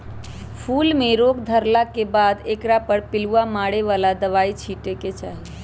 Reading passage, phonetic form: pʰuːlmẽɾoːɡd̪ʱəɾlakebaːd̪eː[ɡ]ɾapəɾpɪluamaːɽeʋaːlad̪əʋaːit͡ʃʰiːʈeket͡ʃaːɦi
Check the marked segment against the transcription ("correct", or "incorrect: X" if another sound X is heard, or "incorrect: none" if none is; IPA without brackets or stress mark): incorrect: k